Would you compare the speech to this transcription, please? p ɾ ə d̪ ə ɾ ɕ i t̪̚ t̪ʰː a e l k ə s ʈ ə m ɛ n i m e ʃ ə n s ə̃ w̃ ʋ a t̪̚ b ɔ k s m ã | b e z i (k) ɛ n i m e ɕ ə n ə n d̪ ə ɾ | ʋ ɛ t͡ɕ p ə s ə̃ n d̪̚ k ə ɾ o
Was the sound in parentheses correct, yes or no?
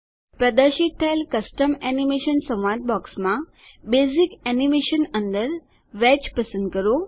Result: yes